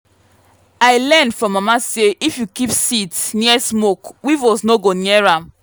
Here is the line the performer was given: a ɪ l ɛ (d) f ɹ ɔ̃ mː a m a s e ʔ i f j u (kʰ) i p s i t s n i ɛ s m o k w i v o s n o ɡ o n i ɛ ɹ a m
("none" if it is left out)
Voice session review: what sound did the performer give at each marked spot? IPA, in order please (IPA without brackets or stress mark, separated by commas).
n, k